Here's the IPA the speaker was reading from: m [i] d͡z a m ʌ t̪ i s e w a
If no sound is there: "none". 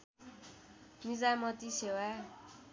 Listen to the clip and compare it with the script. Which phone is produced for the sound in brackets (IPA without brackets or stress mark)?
i